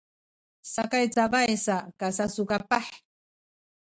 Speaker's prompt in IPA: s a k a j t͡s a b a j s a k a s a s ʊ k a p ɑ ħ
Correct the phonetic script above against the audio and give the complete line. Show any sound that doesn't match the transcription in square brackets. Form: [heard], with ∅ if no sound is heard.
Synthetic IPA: s a k a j t͡s a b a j s a k a s a s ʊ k a p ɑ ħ